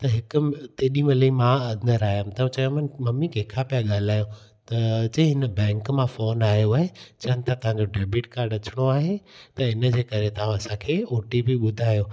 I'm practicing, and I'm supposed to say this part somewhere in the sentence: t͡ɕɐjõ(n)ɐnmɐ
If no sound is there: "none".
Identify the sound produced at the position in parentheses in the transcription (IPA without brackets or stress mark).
m